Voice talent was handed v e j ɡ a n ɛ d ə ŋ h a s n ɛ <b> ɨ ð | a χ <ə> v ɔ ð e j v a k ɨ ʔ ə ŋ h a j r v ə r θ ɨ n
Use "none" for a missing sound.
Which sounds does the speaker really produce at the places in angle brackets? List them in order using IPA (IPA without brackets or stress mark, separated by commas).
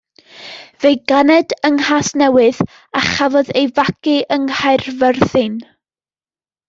w, a